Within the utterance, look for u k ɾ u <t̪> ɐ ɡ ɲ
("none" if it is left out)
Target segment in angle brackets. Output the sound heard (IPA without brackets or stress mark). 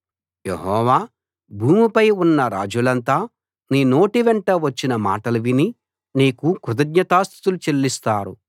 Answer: d̪